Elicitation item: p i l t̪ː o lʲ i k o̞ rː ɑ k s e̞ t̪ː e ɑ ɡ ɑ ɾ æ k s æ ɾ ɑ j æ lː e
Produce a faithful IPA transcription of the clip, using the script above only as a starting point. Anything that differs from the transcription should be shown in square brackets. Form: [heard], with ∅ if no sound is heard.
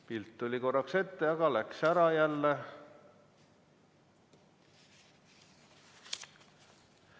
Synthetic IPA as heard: p i l t̪ː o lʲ i k o̞ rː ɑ k s e̞ t̪ː e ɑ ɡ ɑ [l] æ k s æ ɾ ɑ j æ lː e